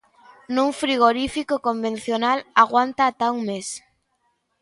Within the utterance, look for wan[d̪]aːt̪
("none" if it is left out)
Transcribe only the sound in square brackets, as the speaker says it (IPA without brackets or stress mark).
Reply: t̪